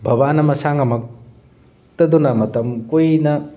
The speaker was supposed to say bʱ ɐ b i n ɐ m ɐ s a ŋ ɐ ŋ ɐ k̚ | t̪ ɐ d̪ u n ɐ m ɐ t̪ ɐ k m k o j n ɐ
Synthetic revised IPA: bʱ ɐ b a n ɐ m ɐ s a ŋ ɐ m ɐ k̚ | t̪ ɐ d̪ u n ɐ m ɐ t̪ ɐ m k o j n ɐ